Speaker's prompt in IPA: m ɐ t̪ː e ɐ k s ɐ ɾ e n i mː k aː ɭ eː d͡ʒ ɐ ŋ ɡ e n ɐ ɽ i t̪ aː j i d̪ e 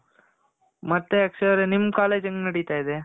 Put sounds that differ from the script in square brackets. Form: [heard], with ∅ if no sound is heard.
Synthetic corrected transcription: m ɐ t̪ː e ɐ k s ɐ ɾ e n i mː k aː [l] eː d͡ʒ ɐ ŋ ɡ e n ɐ ɽ i t̪ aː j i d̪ e

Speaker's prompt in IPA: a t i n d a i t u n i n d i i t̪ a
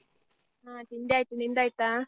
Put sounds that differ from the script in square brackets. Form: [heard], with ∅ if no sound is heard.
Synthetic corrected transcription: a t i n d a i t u n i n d [a] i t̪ a

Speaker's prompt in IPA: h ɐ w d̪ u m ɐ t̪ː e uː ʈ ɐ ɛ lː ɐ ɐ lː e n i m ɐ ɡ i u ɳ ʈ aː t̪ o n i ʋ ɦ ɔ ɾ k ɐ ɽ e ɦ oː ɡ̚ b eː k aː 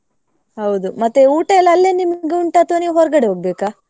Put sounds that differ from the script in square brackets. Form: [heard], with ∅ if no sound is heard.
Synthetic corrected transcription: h ɐ w d̪ u m ɐ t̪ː e uː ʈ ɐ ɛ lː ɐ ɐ lː e n i m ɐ ɡ [e] u ɳ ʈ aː t̪ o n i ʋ ɦ ɔ ɾ [ɡ] ɐ ɽ e ɦ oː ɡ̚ b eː k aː

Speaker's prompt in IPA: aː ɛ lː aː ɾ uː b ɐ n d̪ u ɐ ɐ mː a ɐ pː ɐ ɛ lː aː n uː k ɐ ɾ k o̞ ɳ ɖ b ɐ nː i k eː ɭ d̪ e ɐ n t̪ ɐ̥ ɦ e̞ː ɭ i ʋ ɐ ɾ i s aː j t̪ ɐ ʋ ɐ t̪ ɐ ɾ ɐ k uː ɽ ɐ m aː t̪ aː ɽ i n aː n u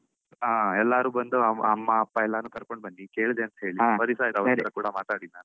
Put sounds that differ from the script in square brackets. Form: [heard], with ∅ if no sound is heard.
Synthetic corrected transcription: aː ɛ lː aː ɾ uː b ɐ n d̪ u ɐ ɐ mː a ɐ pː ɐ ɛ lː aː n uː k ɐ ɾ k o̞ ɳ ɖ b ɐ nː i k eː ɭ d̪ e ɐ n t̪ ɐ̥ ɦ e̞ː ɭ i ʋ ɐ ɾ i s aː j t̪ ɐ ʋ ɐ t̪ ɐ ɾ ɐ k uː ɽ ɐ m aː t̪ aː ɽ i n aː n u

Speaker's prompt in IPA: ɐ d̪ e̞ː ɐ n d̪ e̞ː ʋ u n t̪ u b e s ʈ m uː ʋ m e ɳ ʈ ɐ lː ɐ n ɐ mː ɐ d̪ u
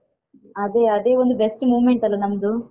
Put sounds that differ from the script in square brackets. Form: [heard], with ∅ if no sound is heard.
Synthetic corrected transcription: ɐ d̪ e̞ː ɐ [∅] d̪ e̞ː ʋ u n [d̪] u b e s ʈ m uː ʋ m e ɳ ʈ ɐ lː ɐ n ɐ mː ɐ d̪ u

